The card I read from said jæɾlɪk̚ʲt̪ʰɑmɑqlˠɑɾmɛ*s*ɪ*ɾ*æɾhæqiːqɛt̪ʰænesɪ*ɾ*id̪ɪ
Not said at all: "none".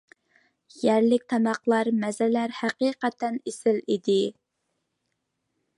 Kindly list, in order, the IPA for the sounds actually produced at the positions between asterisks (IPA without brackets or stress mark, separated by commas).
z, l, l